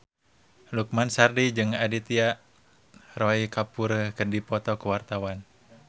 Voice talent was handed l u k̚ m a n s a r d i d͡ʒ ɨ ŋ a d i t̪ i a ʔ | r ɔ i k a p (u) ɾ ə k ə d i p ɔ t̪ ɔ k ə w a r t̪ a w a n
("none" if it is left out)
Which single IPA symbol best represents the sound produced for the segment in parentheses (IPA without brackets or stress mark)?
u